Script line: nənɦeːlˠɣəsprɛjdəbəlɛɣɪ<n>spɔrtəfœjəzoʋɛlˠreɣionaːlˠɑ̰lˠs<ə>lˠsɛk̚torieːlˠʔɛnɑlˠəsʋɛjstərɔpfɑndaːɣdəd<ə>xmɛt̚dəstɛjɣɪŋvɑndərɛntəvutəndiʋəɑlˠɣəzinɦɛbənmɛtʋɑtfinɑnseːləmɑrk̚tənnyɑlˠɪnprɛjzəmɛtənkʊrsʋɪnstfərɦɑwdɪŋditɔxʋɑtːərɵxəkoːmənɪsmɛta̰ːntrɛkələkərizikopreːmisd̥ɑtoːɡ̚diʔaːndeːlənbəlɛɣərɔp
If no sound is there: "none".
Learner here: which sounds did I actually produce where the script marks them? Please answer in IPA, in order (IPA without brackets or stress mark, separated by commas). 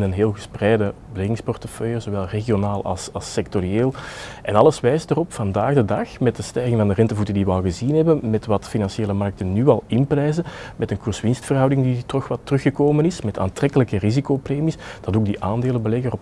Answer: ŋ, ɑ, ɑ